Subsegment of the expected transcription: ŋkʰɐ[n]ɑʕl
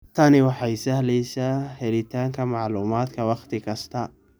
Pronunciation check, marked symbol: incorrect: m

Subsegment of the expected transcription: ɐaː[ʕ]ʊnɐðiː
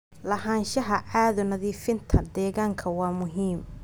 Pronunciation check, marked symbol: incorrect: ð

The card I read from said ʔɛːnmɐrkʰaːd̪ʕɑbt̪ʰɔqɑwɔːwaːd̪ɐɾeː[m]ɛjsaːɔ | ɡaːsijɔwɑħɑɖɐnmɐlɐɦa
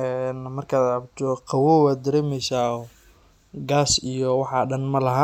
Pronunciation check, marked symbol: correct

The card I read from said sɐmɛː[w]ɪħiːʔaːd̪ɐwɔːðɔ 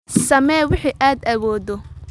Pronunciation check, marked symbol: correct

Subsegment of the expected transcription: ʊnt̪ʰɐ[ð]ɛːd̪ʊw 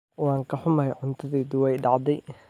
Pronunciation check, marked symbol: correct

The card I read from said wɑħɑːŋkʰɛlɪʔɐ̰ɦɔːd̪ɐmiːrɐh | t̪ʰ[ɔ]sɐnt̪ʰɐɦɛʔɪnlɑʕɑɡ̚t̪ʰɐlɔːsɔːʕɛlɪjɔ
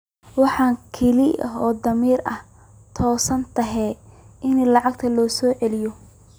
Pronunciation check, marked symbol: incorrect: ɔː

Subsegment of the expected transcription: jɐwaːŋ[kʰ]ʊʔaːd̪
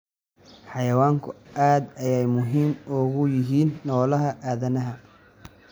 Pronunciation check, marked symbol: correct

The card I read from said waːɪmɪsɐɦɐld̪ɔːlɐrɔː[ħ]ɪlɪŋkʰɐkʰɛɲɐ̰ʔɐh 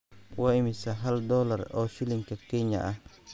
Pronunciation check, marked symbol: incorrect: ʃ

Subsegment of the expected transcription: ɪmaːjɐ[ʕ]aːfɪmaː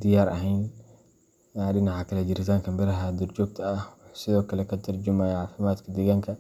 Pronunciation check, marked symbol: correct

